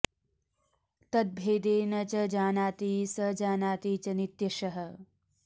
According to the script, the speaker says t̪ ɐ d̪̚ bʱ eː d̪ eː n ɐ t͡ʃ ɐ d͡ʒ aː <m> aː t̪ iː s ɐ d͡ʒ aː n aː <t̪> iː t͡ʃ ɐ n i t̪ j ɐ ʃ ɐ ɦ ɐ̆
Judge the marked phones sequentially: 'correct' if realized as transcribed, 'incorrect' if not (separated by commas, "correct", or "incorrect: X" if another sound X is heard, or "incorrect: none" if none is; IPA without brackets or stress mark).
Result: incorrect: n, correct